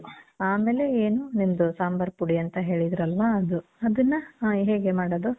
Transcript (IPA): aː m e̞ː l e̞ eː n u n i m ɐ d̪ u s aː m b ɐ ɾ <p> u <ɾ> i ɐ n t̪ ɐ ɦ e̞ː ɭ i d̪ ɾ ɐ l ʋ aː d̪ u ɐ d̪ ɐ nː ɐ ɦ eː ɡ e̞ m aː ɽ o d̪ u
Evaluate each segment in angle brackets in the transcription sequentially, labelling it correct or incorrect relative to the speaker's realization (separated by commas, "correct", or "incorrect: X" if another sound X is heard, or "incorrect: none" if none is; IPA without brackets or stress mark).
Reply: correct, incorrect: ɽ